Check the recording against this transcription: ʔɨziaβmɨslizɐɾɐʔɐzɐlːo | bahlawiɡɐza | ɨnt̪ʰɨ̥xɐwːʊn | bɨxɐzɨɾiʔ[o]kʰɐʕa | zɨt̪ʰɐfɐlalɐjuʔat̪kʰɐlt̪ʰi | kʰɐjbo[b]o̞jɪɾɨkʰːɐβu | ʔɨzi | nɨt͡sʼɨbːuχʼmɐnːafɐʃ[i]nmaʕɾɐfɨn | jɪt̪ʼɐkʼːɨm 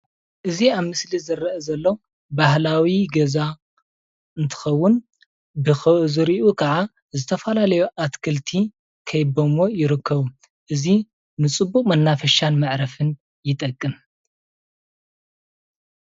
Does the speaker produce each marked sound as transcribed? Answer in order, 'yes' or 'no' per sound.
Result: no, no, no

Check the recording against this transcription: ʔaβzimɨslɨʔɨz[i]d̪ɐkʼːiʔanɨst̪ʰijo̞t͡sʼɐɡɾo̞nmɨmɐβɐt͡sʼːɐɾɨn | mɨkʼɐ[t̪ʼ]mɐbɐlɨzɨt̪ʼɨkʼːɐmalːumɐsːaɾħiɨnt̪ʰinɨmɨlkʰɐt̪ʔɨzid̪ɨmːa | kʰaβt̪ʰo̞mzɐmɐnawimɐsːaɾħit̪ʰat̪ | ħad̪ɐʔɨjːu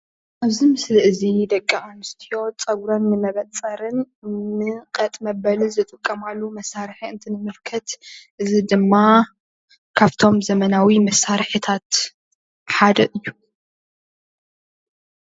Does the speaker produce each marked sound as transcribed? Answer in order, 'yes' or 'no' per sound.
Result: yes, yes

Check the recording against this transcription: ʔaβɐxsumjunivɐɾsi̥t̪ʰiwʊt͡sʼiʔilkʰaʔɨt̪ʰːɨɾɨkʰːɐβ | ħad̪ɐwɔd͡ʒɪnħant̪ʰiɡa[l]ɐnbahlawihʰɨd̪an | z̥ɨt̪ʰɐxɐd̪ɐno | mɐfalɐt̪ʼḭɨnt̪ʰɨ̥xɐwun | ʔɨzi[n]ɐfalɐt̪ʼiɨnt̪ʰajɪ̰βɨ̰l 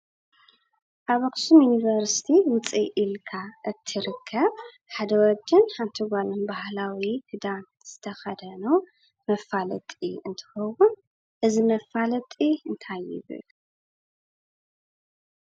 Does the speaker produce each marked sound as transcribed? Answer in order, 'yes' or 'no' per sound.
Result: yes, no

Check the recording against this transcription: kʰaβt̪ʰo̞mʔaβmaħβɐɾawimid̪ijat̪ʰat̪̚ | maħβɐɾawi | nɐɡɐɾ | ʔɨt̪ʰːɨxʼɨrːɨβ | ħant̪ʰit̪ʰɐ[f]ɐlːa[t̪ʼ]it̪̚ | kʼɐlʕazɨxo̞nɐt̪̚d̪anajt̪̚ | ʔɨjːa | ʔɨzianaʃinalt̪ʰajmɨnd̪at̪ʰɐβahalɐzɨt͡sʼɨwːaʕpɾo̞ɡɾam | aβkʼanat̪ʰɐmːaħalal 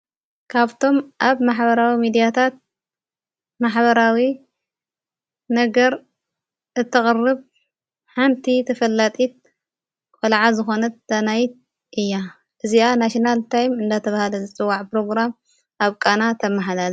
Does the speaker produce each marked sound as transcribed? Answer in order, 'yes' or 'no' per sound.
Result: yes, yes

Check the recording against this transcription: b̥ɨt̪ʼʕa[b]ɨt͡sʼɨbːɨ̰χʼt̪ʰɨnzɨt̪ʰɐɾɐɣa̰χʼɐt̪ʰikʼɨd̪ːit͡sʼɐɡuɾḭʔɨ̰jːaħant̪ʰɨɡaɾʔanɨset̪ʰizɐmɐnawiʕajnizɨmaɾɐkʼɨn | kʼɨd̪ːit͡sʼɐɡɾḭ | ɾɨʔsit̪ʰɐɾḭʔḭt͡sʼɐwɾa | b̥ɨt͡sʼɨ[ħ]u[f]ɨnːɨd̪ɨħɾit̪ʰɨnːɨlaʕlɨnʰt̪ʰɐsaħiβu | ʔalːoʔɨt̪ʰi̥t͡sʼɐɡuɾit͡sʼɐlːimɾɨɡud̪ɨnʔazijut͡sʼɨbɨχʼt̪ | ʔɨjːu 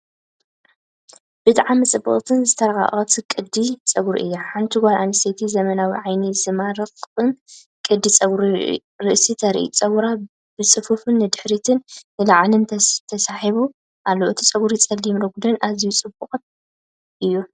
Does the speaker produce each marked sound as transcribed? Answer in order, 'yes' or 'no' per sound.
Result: no, no, yes

